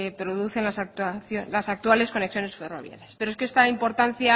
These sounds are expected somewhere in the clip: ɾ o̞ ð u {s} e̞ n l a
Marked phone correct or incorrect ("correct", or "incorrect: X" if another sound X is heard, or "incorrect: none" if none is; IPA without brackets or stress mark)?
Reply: incorrect: θ